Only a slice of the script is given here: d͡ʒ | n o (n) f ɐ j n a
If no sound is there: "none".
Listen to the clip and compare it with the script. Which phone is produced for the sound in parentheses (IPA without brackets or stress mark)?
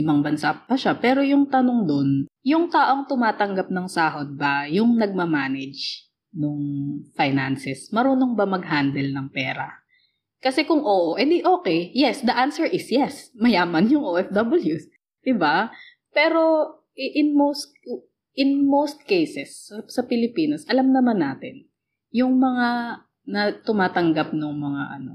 ŋ